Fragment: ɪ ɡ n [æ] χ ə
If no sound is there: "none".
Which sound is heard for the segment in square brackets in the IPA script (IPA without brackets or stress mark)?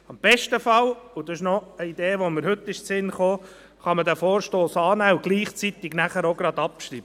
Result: æ